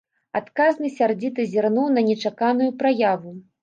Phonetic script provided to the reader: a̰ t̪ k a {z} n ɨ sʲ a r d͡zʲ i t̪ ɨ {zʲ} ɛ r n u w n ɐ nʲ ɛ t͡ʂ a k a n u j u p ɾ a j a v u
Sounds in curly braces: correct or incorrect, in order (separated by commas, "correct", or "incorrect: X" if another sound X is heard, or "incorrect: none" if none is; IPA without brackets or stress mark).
correct, correct